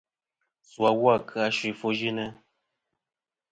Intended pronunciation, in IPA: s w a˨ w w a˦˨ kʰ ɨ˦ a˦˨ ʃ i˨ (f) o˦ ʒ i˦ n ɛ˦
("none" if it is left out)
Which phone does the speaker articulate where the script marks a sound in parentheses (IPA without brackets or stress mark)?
f